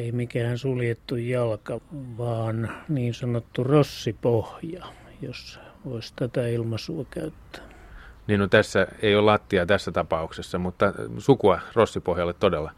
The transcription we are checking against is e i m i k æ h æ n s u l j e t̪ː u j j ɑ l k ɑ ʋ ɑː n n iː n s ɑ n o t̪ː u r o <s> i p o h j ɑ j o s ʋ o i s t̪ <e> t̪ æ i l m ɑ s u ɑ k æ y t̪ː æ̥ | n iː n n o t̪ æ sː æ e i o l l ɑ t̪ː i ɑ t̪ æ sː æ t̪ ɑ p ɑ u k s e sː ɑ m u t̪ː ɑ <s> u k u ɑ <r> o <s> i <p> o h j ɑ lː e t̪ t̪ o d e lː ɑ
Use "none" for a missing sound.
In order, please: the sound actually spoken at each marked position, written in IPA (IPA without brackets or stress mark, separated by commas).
sː, æ, s, r, sː, p